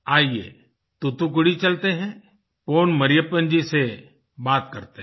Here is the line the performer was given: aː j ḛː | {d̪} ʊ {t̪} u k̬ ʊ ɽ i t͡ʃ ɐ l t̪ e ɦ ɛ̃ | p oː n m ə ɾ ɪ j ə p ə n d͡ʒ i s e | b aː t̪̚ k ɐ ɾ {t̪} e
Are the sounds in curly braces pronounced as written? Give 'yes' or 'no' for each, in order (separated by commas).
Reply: no, yes, yes